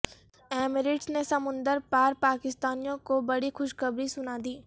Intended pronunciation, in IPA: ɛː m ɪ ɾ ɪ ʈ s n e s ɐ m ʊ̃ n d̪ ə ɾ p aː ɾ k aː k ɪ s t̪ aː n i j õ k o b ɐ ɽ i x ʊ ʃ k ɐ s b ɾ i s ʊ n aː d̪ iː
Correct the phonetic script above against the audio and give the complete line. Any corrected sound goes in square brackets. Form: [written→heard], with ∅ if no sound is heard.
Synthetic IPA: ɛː m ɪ ɾ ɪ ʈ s n e s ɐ m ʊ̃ n d̪ ə ɾ p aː ɾ [k→p] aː k ɪ s t̪ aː n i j õ k o b ɐ ɽ i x ʊ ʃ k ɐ [s→∅] b ɾ i s ʊ n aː d̪ iː